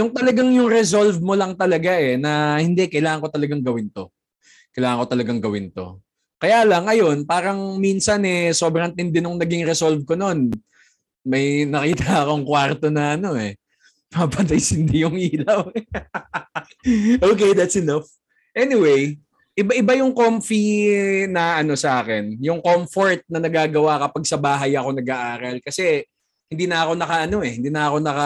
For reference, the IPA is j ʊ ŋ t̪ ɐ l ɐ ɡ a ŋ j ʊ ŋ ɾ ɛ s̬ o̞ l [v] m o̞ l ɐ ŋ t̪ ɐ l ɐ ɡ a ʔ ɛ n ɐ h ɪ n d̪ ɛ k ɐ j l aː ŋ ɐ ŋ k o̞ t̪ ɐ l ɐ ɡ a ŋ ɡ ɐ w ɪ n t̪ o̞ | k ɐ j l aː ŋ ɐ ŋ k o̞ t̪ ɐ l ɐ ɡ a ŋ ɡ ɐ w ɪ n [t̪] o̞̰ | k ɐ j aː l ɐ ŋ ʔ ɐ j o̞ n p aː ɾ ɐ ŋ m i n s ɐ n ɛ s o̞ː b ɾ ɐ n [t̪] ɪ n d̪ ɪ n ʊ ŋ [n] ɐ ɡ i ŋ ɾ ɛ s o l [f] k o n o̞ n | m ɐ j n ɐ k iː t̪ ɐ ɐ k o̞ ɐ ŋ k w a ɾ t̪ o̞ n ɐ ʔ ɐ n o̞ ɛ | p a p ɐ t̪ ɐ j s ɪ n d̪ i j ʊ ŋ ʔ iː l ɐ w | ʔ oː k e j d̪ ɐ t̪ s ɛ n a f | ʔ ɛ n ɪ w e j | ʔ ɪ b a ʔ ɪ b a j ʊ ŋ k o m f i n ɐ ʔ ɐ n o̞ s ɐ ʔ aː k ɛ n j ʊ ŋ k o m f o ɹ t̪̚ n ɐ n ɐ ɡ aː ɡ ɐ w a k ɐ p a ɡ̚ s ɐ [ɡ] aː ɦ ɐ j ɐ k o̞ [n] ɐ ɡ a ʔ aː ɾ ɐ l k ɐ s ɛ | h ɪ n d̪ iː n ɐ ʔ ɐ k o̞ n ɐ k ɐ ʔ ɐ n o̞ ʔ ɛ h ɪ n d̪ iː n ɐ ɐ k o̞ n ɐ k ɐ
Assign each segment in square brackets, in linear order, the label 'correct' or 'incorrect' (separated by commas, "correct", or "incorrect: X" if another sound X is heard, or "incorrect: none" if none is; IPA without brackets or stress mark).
correct, correct, correct, correct, incorrect: v, incorrect: b, correct